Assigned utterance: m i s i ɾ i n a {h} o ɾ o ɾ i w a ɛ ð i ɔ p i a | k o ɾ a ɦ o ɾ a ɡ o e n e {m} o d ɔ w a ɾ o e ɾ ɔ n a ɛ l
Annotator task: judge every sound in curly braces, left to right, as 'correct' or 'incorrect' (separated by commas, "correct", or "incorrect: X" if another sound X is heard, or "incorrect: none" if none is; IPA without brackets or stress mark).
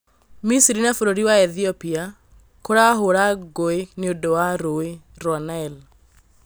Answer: incorrect: f, incorrect: none